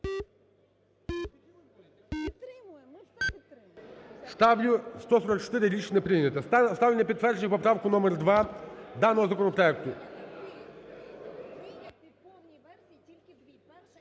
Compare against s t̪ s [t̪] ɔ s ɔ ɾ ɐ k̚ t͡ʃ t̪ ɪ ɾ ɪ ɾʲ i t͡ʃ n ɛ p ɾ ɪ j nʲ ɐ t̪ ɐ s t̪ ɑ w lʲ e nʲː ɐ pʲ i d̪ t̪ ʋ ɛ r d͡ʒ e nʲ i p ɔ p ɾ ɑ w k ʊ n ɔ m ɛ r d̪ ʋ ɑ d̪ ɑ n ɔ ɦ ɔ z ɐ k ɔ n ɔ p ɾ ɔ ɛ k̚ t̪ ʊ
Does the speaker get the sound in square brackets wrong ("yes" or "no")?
no